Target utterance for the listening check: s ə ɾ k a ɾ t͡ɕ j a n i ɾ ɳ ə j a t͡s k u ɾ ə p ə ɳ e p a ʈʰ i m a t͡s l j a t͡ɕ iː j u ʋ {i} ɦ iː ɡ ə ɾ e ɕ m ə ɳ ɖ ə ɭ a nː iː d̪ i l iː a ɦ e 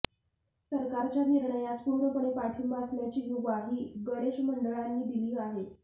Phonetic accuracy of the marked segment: incorrect: a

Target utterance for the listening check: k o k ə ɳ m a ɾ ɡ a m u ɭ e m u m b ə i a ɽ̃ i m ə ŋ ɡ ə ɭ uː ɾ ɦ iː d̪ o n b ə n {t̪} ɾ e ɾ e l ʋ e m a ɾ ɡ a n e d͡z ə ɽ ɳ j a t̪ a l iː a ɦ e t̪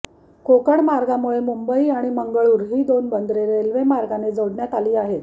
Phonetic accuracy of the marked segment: incorrect: d̪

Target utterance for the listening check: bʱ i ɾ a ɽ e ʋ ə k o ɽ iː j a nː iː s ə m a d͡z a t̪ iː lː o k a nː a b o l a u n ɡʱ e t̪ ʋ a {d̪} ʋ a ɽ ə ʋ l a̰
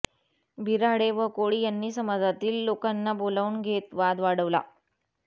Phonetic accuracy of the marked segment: correct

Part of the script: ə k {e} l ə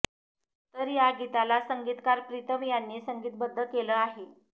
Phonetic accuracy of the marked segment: correct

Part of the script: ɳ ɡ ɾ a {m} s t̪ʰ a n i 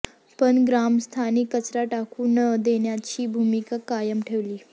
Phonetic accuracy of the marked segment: correct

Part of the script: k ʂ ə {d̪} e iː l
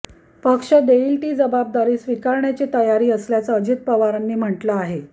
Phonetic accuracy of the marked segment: correct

